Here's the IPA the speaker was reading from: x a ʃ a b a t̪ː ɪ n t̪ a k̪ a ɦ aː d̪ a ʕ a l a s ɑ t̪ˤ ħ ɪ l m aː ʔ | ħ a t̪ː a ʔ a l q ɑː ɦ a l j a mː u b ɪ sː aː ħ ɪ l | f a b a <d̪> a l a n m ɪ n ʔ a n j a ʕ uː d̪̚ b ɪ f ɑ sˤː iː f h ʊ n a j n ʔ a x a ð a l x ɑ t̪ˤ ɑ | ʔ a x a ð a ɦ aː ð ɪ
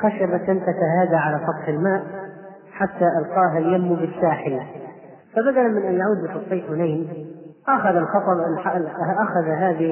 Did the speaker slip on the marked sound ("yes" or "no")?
no